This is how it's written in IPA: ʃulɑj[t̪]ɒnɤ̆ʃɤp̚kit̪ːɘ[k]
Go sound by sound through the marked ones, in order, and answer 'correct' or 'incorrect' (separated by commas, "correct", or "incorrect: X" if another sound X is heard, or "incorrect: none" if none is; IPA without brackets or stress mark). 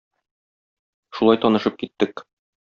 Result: correct, correct